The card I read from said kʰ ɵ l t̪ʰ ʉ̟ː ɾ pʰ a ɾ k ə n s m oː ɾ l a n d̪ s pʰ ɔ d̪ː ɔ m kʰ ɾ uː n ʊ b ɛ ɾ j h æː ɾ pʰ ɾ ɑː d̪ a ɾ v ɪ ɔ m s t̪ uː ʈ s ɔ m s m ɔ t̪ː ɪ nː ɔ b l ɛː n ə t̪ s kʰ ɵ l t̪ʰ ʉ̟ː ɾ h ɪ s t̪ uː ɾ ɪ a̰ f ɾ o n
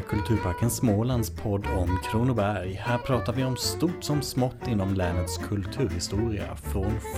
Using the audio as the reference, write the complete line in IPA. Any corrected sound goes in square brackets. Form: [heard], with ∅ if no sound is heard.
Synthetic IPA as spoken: kʰ ɵ l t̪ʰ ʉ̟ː ɾ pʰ a ɾ k ə n s m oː [∅] l a n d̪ s pʰ ɔ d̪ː ɔ m kʰ ɾ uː n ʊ b [æ] ɾ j h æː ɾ pʰ ɾ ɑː [t̪] a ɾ v ɪ ɔ m s t̪ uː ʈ s ɔ m s m ɔ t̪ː ɪ nː ɔ [m] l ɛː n ə t̪ s kʰ ɵ l t̪ʰ ʉ̟ː ɾ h ɪ s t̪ uː ɾ ɪ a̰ f ɾ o n